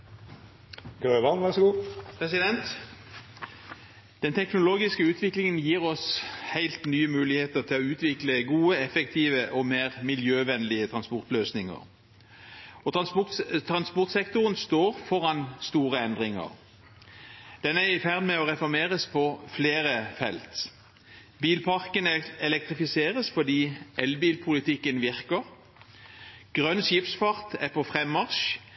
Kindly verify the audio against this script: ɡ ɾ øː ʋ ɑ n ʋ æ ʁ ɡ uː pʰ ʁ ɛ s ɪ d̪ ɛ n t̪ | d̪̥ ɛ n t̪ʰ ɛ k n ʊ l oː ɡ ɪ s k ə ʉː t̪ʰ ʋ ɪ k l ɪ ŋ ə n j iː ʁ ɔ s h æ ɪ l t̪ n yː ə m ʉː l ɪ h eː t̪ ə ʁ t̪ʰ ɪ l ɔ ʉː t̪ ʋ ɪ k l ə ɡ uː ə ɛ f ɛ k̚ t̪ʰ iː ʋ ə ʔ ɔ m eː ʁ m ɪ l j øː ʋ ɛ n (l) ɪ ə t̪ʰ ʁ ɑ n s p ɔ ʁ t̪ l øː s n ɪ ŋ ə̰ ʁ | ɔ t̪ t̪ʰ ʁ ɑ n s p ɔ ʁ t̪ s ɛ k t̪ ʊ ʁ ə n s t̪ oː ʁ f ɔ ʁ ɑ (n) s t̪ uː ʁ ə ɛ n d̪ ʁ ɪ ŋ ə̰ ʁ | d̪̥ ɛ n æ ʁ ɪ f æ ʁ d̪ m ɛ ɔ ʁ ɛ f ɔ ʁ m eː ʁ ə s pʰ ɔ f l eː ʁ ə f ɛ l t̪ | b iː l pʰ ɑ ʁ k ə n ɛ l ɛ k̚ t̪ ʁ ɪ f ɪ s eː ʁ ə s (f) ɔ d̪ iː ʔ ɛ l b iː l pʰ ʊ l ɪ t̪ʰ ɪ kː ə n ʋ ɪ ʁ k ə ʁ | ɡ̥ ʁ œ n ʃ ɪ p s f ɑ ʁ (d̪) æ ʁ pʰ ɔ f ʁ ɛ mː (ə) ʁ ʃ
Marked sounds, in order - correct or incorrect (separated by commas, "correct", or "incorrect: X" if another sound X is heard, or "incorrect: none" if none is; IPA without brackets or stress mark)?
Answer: correct, correct, correct, incorrect: t̪, incorrect: ɑ